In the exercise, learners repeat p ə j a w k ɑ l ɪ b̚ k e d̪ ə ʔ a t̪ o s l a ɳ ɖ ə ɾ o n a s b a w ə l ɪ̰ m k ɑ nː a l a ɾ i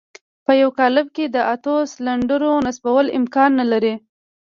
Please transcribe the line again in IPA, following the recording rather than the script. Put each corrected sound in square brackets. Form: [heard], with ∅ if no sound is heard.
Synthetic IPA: p ə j a w k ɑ l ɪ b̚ k e d̪ ə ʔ a t̪ o s l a ɳ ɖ ə ɾ o n a s b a w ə l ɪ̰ m k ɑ nː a l a ɾ i